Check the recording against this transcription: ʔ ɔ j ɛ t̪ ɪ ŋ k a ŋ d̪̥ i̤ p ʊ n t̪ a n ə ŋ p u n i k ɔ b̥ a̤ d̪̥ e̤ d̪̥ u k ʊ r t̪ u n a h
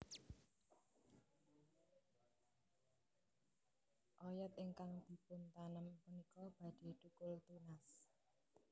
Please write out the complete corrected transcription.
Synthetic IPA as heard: ʔ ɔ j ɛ t̪ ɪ ŋ k a ŋ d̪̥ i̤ p ʊ n t̪ a n ə m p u n i k ɔ b̥ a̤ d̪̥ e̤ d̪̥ u k ʊ l t̪ u n a s